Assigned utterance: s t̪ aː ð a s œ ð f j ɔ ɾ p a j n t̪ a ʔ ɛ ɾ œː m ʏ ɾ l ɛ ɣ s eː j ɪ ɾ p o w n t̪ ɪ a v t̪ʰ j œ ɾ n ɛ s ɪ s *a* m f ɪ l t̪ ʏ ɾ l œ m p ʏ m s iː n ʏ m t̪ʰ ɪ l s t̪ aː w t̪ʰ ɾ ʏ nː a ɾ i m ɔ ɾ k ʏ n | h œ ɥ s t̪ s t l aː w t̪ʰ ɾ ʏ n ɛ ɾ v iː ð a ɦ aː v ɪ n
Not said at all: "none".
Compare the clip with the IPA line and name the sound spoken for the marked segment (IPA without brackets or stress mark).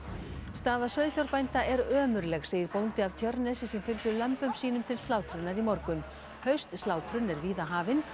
ɛ